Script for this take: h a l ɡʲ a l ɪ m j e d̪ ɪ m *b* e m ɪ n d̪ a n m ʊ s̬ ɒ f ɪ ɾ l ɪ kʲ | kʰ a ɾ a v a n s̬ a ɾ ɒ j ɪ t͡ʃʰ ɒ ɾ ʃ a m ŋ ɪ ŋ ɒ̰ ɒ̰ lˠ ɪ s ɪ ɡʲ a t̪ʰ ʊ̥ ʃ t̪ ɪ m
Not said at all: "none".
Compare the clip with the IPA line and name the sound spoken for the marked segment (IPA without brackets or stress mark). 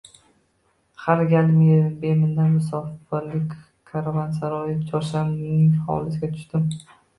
b